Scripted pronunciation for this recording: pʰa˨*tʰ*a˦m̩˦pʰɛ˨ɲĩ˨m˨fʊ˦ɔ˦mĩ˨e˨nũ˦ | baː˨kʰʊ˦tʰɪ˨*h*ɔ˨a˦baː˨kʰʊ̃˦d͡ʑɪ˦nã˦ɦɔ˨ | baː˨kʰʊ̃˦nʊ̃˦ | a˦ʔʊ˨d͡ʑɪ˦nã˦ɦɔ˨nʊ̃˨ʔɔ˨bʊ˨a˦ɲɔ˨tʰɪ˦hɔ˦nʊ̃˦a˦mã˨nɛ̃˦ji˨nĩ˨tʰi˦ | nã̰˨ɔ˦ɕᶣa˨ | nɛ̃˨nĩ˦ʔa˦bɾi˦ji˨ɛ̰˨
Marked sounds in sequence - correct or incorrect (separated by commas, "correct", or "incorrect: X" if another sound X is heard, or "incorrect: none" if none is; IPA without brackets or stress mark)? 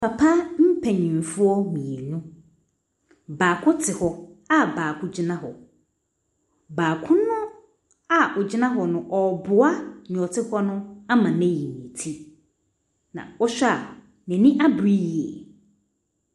incorrect: pʰ, correct